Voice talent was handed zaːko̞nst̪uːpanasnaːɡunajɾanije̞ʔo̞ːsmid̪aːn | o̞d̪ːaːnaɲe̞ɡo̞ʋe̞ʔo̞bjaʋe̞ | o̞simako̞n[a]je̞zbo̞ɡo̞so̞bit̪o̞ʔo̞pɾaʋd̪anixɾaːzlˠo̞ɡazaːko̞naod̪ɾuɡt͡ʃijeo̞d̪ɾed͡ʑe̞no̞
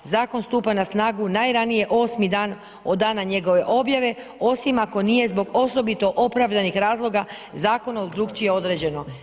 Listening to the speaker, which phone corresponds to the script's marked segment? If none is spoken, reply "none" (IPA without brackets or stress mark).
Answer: i